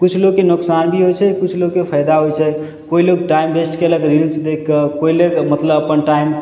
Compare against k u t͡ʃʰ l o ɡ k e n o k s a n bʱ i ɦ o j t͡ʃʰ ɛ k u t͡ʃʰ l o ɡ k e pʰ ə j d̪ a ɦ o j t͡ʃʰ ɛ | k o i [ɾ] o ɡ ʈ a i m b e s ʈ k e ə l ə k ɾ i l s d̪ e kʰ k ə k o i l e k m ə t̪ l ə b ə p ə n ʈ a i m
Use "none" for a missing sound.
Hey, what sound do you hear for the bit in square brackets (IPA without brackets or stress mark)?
l